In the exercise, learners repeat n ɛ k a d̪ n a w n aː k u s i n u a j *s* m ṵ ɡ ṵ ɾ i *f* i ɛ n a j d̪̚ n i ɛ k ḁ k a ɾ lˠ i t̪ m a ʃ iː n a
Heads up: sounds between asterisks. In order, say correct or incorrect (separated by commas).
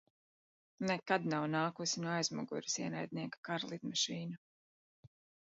incorrect, incorrect